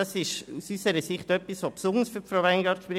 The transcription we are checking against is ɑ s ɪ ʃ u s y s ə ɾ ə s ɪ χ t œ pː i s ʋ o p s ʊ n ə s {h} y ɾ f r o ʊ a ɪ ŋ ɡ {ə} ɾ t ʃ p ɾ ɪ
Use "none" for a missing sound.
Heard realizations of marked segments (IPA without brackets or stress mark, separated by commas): f, ɑ